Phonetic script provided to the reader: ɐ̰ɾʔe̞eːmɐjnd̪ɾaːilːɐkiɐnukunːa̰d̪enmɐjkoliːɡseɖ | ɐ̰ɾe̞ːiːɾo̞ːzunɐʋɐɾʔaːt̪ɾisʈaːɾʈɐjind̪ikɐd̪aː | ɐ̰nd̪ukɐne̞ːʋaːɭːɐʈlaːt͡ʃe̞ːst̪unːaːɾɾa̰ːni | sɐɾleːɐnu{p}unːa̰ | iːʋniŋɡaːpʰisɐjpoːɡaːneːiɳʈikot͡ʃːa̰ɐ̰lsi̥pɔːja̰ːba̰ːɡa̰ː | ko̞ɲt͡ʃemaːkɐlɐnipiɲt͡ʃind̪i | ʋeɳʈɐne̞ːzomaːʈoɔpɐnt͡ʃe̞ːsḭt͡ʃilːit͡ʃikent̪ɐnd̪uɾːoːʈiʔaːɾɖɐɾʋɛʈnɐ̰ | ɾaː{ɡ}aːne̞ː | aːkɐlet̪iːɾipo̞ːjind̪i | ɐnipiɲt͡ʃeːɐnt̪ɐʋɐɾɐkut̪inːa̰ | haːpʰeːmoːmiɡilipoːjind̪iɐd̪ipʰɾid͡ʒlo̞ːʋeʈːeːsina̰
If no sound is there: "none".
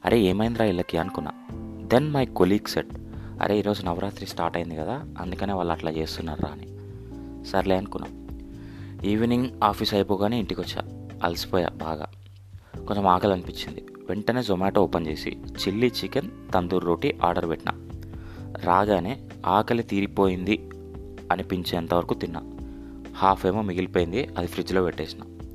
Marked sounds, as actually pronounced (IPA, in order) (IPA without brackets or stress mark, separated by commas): k, ɡ